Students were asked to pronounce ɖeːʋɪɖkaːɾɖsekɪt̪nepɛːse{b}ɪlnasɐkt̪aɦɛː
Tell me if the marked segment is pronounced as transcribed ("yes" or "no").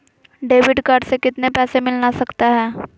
no